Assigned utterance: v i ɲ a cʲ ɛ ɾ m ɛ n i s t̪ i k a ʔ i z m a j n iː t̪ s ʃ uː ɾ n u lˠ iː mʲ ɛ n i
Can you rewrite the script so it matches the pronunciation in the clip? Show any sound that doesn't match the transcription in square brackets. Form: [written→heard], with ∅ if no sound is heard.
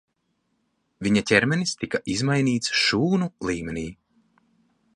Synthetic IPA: v i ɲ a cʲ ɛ ɾ m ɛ n i s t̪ i k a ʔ i z m a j n iː t̪ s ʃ uː [ɾ→∅] n u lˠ iː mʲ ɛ n [i→iː]